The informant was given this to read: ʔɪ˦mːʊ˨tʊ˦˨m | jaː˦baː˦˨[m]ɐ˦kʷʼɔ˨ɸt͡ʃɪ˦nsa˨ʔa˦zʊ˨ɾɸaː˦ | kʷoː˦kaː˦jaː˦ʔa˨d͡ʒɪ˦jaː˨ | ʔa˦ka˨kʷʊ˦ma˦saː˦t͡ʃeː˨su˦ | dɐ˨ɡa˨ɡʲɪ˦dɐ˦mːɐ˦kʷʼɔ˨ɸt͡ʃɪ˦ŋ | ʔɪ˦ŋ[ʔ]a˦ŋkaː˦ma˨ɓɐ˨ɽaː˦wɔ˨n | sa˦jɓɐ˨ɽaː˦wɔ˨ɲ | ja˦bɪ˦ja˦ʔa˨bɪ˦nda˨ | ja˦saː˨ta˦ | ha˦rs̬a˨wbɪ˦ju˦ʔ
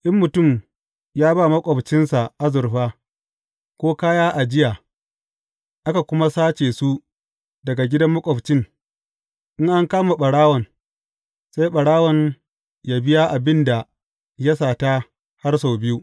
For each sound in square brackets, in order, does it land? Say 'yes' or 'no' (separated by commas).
yes, yes